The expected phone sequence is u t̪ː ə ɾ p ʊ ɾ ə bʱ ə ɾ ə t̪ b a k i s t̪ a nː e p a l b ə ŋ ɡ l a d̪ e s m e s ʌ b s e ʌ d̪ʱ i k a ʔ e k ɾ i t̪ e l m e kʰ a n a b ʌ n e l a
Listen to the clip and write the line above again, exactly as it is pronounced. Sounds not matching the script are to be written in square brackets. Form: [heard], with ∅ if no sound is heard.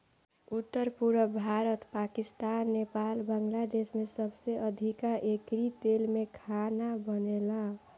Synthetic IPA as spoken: u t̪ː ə ɾ p [u] ɾ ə bʱ [a] ɾ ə t̪ [p] a k i s t̪ a nː e p a l b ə ŋ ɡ l a d̪ e s m e s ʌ b s e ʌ d̪ʱ i k a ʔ e k ɾ i t̪ e l m e kʰ a n a b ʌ n e l a